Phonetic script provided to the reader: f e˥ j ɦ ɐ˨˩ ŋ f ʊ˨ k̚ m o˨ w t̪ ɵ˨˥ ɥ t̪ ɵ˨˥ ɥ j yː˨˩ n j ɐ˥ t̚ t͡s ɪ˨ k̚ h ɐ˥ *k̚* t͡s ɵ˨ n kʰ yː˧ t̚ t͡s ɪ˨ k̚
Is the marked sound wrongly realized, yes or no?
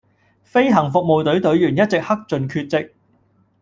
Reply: no